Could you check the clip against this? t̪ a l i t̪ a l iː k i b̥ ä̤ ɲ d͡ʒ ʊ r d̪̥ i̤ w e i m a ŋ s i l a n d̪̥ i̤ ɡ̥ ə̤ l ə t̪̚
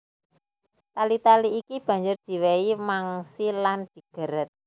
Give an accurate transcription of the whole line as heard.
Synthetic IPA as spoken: t̪ a l i t̪ a l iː k i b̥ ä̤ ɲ d͡ʒ ʊ r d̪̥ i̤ w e i m a ŋ s i l a n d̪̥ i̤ ɡ̥ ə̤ ɾ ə t̪̚